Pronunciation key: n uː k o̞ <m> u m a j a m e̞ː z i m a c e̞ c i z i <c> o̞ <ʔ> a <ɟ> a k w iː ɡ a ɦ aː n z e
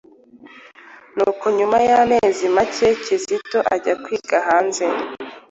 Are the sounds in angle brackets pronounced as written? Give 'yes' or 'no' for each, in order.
no, no, yes, yes

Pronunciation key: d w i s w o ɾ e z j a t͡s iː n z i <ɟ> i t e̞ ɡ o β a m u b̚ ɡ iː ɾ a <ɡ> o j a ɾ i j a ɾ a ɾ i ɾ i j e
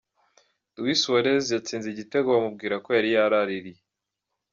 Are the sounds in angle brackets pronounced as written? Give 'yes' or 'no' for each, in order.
yes, no

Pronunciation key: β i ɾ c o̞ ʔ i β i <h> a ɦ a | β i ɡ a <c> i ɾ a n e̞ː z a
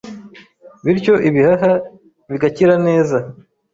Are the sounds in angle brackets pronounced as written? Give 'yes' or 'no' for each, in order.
yes, yes

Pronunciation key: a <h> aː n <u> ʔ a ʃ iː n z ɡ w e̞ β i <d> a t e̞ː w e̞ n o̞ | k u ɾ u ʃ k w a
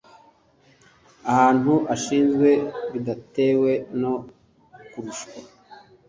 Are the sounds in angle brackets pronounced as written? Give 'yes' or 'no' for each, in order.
yes, yes, yes

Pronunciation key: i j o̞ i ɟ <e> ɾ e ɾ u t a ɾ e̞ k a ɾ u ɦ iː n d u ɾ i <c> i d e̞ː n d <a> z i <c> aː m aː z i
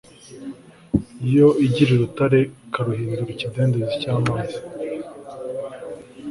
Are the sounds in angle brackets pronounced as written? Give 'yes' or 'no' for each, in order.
no, yes, no, yes

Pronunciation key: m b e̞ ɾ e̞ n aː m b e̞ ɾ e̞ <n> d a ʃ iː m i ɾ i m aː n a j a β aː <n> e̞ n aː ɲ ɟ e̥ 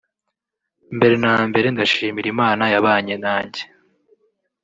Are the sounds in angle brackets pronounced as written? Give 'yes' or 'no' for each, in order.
yes, no

